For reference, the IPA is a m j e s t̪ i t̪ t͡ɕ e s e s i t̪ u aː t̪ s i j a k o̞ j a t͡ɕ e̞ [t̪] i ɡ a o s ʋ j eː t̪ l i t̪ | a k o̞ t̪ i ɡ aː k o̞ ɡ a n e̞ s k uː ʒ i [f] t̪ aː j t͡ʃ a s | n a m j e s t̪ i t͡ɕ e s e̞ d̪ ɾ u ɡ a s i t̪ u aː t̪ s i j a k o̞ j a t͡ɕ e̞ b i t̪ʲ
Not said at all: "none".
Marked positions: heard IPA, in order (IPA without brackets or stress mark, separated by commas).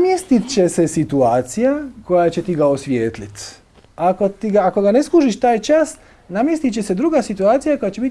t̪, ʃ